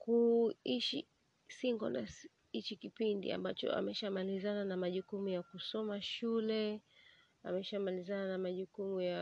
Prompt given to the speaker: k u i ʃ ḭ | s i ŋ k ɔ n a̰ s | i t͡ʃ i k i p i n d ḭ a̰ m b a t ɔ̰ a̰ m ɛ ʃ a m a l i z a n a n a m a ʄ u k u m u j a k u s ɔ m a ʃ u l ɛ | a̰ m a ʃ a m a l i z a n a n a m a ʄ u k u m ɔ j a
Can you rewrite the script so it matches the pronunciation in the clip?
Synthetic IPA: k u i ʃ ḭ | s i ŋ ɡ ɔ n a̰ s | i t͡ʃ i k i p i n d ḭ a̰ m b a t͡ʃ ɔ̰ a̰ m ɛ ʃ a m a l i z a n a n a m a ʄ u k u m u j a k u s ɔ m a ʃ u l ɛ | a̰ m ɛ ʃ a m a l i z a n a n a m a ʄ u k u m u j a